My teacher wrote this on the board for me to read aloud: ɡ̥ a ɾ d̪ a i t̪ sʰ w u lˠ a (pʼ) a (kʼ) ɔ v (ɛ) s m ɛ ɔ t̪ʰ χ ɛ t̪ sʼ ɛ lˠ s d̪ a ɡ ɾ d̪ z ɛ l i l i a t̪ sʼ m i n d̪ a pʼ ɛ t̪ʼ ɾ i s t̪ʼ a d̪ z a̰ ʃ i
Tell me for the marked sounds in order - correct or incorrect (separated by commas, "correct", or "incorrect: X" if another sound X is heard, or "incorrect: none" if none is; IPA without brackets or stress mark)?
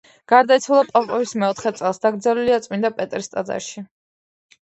correct, incorrect: pʼ, incorrect: i